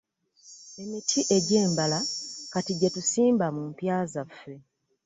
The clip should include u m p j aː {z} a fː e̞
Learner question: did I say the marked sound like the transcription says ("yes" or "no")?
yes